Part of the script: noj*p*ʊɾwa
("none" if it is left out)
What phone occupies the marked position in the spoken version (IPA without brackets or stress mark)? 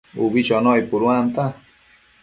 p